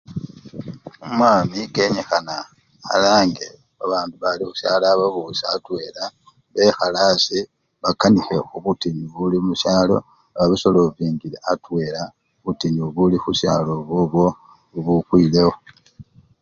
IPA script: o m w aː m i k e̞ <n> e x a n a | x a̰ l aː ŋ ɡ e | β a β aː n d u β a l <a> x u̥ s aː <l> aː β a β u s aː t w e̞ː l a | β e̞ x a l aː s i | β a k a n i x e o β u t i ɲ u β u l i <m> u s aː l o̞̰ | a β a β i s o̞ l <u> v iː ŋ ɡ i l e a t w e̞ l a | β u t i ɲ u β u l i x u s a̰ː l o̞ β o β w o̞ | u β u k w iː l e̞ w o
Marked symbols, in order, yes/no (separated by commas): no, no, yes, yes, no